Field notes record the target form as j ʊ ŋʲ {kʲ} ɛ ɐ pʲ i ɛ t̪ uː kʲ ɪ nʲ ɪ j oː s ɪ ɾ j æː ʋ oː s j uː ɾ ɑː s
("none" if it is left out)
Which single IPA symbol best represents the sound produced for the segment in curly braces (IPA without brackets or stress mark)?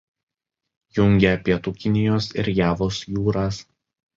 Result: ɡʲ